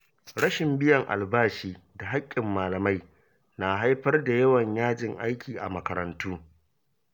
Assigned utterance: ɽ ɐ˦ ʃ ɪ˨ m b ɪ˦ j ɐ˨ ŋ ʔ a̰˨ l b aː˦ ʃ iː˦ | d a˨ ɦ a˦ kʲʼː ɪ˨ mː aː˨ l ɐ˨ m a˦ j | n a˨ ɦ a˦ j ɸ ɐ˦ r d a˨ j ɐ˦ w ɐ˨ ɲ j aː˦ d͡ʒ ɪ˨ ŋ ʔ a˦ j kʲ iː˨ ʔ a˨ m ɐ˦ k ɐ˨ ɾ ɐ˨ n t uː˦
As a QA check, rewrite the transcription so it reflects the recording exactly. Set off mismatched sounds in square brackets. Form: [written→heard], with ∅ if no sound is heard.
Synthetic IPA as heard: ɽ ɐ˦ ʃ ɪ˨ m b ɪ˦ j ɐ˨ ŋ ʔ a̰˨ l b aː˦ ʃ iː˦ | d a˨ ɦ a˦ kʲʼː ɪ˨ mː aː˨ l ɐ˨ m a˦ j | n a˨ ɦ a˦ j ɸ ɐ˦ r d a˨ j ɐ˦ w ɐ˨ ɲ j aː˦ d͡ʒ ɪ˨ ŋ ʔ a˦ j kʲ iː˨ ʔ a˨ m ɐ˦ k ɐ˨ ɾ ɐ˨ n t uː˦